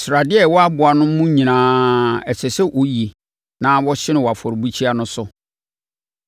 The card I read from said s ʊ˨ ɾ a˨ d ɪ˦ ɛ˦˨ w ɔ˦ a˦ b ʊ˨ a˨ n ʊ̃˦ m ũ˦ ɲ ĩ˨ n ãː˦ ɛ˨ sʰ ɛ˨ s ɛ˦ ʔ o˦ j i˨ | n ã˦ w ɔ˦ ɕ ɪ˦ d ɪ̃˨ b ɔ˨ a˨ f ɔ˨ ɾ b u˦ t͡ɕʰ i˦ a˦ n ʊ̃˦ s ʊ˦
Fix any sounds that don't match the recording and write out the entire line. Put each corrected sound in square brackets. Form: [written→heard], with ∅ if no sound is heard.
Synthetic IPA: s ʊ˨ ɾ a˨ d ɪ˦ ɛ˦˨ w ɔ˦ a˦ b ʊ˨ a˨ n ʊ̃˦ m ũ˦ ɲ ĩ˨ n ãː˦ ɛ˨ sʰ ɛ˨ s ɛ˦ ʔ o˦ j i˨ | n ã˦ w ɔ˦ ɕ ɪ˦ [d→n] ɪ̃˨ [b→w] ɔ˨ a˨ f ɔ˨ ɾ b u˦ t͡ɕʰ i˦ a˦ n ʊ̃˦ s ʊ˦

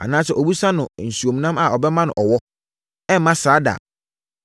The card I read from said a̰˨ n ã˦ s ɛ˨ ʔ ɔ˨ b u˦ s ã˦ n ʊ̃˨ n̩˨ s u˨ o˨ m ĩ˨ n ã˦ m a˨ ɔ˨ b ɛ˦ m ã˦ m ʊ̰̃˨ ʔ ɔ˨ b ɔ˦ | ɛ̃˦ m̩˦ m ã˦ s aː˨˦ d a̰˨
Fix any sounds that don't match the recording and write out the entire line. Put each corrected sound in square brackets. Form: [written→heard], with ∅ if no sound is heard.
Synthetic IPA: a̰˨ n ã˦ s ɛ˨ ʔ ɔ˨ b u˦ s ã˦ n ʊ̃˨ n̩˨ s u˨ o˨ m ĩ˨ n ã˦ m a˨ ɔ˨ b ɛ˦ m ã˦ [m→n] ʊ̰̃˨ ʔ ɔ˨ [b→w] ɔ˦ | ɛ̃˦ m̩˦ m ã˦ s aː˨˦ d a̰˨

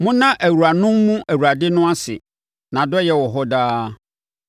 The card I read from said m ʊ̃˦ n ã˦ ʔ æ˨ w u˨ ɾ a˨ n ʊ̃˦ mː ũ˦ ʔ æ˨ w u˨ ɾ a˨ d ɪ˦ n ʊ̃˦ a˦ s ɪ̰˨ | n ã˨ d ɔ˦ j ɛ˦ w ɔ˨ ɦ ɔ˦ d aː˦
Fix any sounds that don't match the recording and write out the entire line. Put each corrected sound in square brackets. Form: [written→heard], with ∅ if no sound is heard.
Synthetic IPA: m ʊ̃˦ n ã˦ ʔ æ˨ w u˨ ɾ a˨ n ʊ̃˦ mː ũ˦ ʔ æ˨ w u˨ ɾ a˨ d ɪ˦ n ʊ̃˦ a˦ s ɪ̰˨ | n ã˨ d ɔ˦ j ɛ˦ w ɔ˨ ɦ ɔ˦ d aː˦

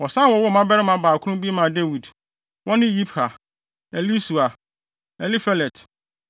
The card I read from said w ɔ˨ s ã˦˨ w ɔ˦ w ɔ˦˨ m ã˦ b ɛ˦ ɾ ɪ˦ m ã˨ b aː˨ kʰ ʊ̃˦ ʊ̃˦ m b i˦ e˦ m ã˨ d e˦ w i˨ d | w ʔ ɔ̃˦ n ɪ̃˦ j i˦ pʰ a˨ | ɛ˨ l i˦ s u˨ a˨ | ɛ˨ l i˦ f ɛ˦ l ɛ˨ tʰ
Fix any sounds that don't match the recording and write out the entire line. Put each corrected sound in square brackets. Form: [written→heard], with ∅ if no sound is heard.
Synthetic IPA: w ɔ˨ s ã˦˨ w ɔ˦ w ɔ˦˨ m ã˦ b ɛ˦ ɾ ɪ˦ m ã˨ b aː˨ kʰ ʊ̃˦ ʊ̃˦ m b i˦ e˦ m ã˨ d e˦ w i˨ d | w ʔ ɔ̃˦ n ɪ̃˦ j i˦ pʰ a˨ | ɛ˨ l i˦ s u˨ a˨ | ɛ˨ l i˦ f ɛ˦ l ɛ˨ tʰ

